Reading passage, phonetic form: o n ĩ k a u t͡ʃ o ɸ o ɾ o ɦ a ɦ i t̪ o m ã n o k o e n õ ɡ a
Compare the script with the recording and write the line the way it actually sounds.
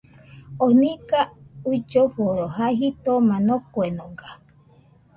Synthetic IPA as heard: o n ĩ k a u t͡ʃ o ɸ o ɾ o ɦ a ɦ i t̪ o m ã n o k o e n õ ɡ a